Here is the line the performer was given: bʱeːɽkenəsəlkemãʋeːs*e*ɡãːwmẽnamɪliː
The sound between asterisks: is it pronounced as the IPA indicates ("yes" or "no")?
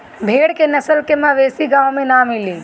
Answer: no